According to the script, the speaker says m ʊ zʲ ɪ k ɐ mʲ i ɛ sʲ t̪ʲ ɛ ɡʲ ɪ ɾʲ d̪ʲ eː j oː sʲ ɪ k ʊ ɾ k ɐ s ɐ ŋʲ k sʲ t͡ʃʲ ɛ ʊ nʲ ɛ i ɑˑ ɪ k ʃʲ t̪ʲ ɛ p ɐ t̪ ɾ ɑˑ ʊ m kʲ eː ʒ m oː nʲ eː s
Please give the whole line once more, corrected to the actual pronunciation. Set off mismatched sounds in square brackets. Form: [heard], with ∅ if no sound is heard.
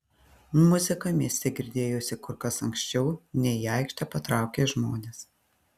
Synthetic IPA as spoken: m ʊ zʲ ɪ k ɐ mʲ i ɛ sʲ t̪ʲ ɛ ɡʲ ɪ ɾʲ d̪ʲ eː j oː sʲ ɪ k ʊ ɾ k ɐ s ɐ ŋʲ k sʲ t͡ʃʲ ɛ ʊ nʲ ɛ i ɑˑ ɪ k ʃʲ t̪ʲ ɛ p ɐ t̪ ɾ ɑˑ ʊ [∅] kʲ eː ʒ m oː nʲ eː s